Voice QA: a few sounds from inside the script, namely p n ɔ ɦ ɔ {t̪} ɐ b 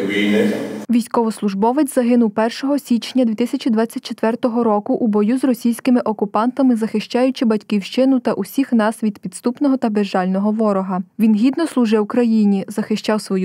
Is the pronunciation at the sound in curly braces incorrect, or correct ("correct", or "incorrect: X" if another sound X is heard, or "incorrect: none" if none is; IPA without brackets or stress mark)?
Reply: correct